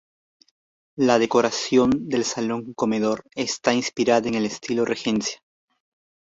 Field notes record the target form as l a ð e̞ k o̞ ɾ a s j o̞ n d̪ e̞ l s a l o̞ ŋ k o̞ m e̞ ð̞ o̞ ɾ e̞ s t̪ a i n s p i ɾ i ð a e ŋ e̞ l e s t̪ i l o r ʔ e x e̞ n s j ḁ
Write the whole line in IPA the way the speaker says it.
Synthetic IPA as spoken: l a ð e̞ k o̞ ɾ a s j o̞ n d̪ e̞ l s a l o̞ ŋ k o̞ m e̞ ð̞ o̞ ɾ e̞ s t̪ a i n s p i ɾ a ð a e ŋ e̞ l e s t̪ i l o r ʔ e x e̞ n s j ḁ

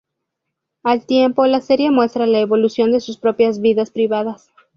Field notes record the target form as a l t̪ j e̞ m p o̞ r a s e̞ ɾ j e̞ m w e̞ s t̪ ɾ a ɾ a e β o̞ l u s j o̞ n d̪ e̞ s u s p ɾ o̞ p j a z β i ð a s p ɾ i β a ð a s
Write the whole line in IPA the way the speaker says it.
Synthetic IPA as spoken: a l t̪ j e̞ m p o̞ l a s e̞ ɾ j e̞ m w e̞ s t̪ ɾ a l a e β o̞ l u s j o̞ n d̪ e̞ s u s p ɾ o̞ p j a z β i ð a s p ɾ i β a ð a s

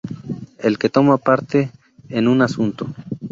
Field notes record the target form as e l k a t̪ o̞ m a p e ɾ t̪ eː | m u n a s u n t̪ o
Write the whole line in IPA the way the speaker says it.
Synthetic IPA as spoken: e l k e t̪ o̞ m a p a ɾ t̪ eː | n u n a s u n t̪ o

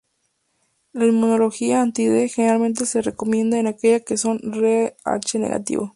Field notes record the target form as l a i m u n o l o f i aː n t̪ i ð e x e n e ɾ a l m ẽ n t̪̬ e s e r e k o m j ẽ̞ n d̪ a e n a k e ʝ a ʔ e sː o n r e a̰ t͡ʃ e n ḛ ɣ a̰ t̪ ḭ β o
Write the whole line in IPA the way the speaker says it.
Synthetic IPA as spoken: l a i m u n o l o x i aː n t̪ i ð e x e n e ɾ a l m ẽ n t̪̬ e s e r e k o m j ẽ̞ n d̪ a e n a k e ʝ a k e s o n r e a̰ t͡ʃ e n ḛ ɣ a̰ t̪ ḭ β o

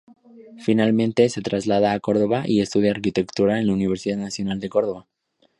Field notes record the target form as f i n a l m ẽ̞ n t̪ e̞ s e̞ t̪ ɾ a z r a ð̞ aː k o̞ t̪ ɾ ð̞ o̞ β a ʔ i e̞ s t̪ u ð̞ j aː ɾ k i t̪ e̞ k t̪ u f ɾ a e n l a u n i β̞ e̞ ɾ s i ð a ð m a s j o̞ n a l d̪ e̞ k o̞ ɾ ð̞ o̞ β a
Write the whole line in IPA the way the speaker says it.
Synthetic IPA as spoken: f i n a l m ẽ̞ n t̪ e̞ s e̞ t̪ ɾ a z l a ð̞ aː k o̞ ɾ ð̞ o̞ β a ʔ i e̞ s t̪ u ð̞ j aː ɾ k i t̪ e̞ k t̪ u ɾ a e n l a u n i β̞ e̞ ɾ s i ð a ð n a s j o̞ n a l d̪ e̞ k o̞ ɾ ð̞ o̞ β a

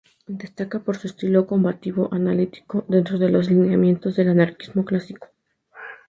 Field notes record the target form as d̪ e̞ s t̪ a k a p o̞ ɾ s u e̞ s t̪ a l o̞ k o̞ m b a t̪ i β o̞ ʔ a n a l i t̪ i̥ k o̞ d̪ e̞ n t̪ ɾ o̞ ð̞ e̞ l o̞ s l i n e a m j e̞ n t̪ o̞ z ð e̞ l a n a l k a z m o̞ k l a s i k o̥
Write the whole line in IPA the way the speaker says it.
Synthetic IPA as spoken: d̪ e̞ s t̪ a k a p o̞ ɾ s u e̞ s t̪ i l o̞ k o̞ m b a t̪ i β o̞ ʔ a n a l i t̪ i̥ k o̞ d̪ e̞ n t̪ ɾ o̞ ð̞ e̞ l o̞ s l i n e a m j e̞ n t̪ o̞ z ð e̞ l a n a ɾ k i z m o̞ k l a s i k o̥

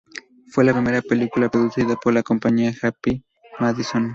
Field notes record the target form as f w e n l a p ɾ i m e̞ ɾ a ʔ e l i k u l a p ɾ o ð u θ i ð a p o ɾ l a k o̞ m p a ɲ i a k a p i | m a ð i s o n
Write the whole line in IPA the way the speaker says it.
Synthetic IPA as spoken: f w e l a p ɾ i m e̞ ɾ a p e l i k u l a p ɾ o ð u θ i ð a p o ɾ l a k o̞ m p a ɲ i a x a p i | m a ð i s o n

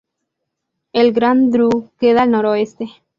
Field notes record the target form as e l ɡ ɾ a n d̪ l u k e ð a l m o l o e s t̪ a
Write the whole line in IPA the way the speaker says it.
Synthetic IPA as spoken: e l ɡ ɾ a n d̪ ɾ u k e ð a l n o ɾ o e s t̪ e

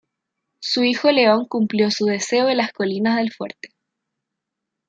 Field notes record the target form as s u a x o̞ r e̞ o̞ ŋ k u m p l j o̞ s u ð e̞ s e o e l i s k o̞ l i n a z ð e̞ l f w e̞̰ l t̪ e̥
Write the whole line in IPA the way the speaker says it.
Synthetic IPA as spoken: s u i x o̞ l e̞ o̞ ŋ k u m p l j o̞ s u ð e̞ s e o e l a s k o̞ l i n a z ð e̞ l f w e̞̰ ɾ t̪ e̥

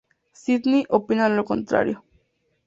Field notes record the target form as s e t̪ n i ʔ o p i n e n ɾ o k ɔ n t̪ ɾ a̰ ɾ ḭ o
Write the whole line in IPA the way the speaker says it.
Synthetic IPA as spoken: s i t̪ n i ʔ o p i n a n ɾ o k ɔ n t̪ ɾ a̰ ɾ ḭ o

